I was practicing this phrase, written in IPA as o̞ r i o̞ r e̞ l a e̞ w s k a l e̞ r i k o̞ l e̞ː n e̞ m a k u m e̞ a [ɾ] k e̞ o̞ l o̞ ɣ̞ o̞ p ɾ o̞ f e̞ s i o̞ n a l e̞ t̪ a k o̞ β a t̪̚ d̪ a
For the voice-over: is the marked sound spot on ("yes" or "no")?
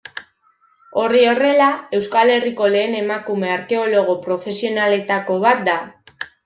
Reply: yes